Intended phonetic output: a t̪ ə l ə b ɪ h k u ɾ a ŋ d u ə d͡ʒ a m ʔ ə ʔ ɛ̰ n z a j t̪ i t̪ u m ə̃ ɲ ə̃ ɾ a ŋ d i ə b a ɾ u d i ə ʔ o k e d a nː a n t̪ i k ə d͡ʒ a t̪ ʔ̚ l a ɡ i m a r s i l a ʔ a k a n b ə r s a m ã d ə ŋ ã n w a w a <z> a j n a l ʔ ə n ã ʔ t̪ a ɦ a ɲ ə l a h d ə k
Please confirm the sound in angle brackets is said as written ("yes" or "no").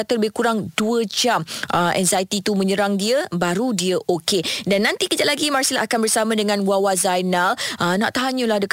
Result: yes